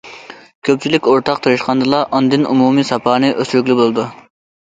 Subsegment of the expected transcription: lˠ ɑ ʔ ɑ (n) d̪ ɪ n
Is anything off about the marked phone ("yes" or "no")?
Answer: no